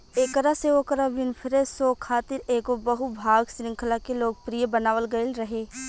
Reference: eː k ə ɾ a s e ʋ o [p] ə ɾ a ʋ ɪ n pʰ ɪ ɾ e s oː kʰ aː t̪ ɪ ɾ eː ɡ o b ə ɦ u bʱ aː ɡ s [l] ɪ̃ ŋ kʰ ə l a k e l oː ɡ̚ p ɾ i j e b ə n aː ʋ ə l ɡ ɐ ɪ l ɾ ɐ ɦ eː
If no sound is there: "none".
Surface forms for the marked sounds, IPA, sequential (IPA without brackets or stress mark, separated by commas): k, ɾ